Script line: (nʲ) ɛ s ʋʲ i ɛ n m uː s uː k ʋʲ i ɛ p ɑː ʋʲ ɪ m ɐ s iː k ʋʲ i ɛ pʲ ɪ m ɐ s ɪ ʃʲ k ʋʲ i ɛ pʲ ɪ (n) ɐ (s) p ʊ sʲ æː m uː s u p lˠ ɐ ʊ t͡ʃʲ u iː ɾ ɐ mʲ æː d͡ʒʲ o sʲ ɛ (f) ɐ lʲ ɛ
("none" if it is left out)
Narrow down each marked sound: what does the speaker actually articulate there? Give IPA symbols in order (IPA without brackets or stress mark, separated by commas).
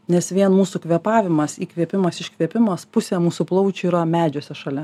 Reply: nʲ, m, s, ʃ